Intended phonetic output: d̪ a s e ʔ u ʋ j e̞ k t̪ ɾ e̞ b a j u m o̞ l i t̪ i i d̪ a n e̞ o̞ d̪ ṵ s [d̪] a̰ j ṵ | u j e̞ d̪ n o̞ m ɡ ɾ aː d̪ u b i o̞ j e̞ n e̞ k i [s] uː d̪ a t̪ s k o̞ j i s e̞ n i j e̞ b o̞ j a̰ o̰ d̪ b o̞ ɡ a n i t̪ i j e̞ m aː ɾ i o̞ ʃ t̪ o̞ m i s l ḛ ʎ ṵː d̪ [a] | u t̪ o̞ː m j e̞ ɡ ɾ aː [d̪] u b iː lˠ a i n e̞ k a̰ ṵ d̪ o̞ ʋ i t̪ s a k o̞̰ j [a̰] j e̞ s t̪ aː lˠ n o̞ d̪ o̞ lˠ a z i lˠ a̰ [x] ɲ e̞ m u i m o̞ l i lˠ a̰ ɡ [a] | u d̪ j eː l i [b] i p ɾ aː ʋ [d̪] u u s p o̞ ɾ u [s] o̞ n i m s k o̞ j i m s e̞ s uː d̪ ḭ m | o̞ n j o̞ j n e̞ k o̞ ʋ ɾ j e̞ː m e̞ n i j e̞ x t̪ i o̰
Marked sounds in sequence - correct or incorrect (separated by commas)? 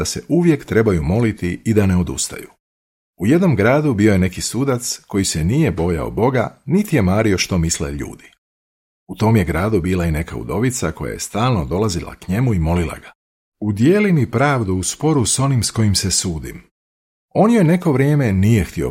incorrect, correct, incorrect, correct, correct, incorrect, correct, incorrect, correct, correct